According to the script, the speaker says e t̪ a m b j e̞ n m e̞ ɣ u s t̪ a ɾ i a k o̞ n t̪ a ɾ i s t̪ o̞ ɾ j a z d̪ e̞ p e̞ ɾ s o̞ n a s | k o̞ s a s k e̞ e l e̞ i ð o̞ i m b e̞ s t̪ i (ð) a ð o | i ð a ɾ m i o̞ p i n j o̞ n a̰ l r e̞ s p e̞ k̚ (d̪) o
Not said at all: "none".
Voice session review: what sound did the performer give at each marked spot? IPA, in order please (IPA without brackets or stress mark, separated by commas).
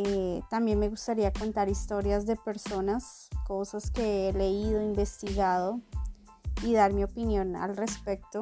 ɣ, t̪